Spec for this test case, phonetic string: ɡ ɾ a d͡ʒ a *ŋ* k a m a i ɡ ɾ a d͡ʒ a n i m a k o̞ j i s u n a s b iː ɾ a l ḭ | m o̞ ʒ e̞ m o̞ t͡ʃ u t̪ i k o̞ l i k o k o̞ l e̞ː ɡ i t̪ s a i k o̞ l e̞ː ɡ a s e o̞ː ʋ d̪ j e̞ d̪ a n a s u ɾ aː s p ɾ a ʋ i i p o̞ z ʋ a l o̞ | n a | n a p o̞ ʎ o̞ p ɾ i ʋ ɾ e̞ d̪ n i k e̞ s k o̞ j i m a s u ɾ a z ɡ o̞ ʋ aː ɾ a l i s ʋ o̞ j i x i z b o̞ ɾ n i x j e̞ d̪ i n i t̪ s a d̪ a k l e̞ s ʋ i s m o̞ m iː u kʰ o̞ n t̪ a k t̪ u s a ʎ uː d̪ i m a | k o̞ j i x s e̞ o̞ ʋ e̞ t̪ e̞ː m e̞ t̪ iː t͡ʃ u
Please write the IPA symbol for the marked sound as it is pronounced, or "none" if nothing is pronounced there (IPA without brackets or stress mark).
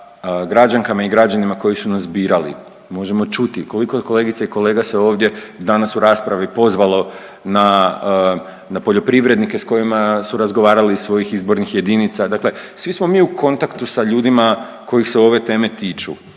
ŋ